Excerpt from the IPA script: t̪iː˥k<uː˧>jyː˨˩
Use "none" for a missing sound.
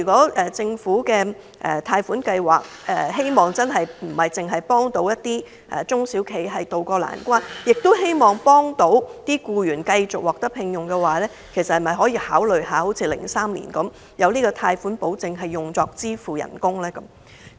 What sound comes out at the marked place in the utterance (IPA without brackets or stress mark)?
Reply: uː˧